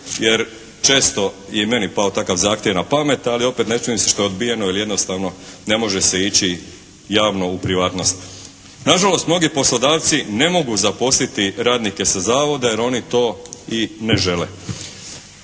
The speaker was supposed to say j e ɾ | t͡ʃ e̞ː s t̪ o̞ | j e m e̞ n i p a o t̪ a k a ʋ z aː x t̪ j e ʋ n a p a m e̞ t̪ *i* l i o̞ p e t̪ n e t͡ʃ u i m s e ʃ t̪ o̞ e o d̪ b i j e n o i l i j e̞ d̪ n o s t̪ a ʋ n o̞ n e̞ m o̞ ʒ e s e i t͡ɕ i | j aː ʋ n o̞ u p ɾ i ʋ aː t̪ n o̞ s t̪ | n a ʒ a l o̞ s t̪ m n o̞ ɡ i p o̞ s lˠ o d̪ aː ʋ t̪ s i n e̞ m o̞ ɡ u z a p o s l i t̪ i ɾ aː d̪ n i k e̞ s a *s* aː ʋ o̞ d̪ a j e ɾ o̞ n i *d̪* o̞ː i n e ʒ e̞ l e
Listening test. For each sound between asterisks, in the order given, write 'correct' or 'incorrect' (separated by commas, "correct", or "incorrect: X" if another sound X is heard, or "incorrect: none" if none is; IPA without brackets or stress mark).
incorrect: a, incorrect: z, incorrect: t̪